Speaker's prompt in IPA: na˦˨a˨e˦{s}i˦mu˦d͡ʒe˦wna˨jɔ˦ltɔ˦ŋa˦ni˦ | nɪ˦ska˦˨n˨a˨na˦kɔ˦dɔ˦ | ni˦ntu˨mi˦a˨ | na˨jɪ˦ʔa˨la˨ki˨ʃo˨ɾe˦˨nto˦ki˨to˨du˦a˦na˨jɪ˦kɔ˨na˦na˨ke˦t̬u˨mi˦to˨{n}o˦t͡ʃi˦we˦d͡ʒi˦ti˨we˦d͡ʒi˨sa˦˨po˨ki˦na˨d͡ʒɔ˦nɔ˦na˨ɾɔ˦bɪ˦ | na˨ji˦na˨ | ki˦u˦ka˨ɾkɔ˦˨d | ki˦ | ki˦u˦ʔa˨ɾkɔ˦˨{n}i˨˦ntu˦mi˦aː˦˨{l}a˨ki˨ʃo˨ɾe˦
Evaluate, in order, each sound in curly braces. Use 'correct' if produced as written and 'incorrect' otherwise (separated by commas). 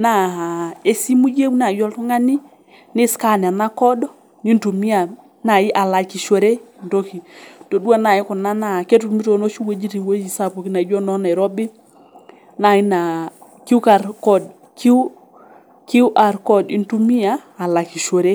correct, correct, incorrect, correct